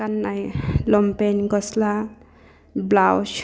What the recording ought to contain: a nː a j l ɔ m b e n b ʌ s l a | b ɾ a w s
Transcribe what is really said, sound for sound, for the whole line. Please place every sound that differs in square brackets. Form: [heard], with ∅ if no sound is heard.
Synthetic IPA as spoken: a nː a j l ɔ m [p] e n [ɡ] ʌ s l a | b [l] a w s